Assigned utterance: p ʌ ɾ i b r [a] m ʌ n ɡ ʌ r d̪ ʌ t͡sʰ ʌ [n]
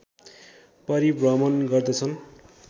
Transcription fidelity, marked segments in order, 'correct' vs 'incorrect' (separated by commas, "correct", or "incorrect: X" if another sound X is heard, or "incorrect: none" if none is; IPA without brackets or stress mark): incorrect: ʌ, correct